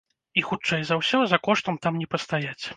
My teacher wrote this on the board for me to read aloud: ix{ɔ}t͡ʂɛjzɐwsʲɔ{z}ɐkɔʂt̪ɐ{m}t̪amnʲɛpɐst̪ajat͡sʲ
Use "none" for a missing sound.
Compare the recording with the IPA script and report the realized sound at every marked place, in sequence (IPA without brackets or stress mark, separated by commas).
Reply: u, z, m